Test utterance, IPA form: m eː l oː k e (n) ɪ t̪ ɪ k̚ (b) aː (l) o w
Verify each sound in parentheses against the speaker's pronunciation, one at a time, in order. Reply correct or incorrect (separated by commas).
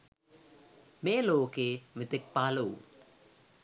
incorrect, incorrect, correct